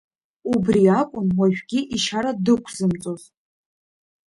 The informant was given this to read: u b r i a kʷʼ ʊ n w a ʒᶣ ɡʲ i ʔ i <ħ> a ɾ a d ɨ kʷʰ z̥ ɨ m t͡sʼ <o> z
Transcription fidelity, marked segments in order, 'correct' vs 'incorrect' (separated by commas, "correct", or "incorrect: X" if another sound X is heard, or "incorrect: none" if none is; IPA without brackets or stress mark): incorrect: ʃ, correct